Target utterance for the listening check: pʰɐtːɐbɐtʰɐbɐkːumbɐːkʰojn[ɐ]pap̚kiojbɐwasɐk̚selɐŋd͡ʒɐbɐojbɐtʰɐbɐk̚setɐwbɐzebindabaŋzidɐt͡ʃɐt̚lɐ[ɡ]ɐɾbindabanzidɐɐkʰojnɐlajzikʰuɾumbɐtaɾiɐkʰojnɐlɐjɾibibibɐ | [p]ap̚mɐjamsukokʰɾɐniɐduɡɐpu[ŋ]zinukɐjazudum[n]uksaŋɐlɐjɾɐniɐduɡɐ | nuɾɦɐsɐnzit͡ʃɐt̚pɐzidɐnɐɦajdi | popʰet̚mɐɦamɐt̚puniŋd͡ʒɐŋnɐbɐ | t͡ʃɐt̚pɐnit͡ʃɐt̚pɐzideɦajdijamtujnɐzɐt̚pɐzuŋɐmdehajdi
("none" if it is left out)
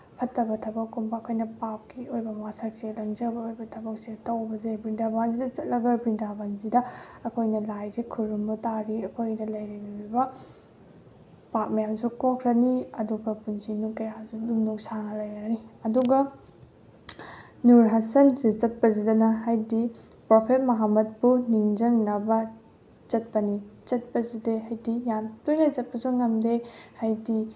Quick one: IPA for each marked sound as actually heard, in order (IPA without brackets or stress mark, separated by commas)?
ɐ, ɡ, p, n, n